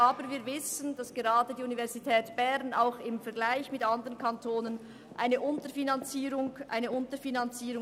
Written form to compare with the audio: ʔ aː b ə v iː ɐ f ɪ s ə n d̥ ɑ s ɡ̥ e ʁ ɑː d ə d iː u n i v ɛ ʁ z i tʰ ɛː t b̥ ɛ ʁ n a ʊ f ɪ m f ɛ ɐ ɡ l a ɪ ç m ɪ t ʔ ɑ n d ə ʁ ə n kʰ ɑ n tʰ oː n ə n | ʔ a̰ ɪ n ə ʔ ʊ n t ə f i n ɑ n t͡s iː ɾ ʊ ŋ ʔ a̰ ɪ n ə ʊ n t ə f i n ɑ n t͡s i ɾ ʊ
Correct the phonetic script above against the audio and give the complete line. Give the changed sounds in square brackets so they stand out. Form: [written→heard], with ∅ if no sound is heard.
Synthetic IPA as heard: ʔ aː b ə v iː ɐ [f→v] ɪ s ə n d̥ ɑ s ɡ̥ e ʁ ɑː d ə d iː u n i v ɛ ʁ z i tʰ ɛː t b̥ ɛ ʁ n a ʊ [f→x] ɪ m f ɛ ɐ ɡ l a ɪ ç m ɪ t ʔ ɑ n d ə ʁ ə n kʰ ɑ n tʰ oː n ə n | ʔ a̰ ɪ n ə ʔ ʊ n t ə f i n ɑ n t͡s iː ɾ ʊ ŋ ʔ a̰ ɪ n ə ʊ n t ə f i n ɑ n t͡s [i→iː] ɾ ʊ